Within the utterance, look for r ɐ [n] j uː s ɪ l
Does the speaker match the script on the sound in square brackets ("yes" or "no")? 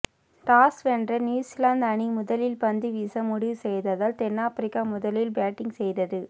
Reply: yes